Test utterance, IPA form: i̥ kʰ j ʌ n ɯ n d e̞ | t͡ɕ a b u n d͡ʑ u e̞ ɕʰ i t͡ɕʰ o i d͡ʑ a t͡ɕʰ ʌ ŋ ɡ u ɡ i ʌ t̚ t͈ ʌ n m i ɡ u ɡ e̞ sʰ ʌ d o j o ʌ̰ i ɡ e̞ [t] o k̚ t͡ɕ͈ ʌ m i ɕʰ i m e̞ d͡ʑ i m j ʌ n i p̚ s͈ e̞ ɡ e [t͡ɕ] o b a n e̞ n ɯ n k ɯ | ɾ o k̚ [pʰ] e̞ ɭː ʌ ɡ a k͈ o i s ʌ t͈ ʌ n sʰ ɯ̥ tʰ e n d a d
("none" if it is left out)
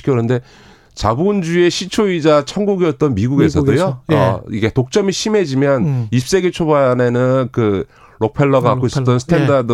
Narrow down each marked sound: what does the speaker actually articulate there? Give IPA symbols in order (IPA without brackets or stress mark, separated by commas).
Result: t, t͡ɕʰ, pʰ